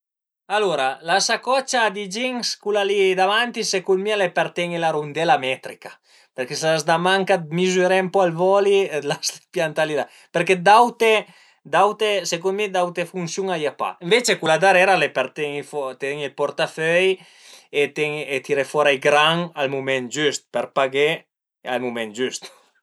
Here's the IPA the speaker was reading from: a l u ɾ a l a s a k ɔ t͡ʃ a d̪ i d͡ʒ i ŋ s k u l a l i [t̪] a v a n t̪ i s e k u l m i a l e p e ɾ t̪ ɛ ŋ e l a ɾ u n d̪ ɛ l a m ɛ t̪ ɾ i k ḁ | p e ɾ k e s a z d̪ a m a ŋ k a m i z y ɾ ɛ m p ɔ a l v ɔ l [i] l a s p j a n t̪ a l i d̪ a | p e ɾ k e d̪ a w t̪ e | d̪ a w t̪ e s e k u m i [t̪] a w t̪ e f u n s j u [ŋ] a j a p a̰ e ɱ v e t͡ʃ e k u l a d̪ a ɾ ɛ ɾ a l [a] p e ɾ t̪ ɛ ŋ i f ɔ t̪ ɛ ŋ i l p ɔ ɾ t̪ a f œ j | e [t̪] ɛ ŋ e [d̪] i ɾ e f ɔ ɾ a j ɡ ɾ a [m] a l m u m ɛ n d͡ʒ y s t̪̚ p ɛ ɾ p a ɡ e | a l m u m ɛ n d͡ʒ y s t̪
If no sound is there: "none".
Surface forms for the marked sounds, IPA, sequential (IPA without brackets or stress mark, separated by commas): d̪, i, d̪, ŋ, e, t̪, t̪, ŋ